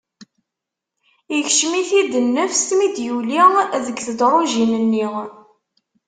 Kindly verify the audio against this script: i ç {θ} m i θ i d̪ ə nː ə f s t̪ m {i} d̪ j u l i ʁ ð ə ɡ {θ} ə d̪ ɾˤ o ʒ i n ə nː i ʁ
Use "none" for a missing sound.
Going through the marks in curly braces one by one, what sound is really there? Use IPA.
ʃ, i, θ

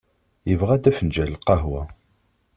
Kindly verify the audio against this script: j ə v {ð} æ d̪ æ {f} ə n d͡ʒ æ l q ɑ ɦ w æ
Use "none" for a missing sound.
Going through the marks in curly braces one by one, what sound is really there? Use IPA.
ʁ, f

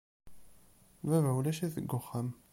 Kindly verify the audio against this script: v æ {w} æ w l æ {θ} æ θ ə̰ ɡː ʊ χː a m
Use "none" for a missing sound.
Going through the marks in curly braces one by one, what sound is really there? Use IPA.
v, ʃ

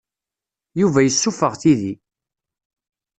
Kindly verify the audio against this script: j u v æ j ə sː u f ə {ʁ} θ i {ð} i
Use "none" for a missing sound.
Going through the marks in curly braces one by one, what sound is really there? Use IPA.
ʁ, ð

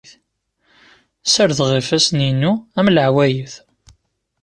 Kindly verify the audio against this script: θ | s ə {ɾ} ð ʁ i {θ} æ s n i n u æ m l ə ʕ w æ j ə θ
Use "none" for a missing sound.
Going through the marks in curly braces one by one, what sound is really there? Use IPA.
ɾ, f

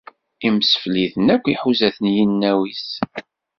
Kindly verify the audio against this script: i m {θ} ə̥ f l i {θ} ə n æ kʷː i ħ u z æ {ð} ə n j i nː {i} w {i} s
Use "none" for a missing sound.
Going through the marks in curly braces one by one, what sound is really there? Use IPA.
s, θ, θ, æ, i

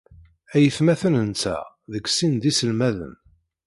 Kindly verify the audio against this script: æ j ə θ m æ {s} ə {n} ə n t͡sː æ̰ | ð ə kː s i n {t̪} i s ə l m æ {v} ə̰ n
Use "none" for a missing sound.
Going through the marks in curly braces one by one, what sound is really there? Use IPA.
θ, n, d̪, ð

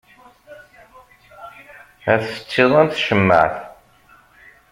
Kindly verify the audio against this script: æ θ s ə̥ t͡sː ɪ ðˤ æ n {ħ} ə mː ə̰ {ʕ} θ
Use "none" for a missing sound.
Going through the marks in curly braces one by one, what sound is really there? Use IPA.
ʃ, ʕ

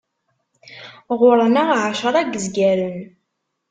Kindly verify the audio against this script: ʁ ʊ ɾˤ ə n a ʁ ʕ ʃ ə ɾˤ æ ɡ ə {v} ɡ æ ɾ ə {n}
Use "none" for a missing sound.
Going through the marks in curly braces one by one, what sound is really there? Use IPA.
z, n

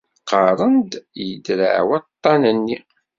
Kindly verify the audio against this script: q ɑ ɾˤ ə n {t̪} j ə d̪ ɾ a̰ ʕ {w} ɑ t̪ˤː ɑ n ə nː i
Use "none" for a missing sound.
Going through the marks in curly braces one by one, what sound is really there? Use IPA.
d̪, w

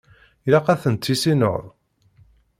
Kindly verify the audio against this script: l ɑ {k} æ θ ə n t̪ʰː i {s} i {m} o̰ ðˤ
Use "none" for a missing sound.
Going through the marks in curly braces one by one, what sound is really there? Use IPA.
q, s, n

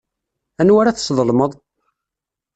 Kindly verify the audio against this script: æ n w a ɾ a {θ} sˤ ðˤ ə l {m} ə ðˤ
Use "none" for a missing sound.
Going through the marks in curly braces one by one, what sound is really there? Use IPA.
θ, m

